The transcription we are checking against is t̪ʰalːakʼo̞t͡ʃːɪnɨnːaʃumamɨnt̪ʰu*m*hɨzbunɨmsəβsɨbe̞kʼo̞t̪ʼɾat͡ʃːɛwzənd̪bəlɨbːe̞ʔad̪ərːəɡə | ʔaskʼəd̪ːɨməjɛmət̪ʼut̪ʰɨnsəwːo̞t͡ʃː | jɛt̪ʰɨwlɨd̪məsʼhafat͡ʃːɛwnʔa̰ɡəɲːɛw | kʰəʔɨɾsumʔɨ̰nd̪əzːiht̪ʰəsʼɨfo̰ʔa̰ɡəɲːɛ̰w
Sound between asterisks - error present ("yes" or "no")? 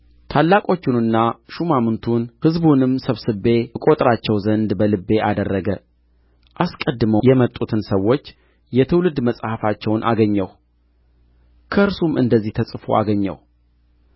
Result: yes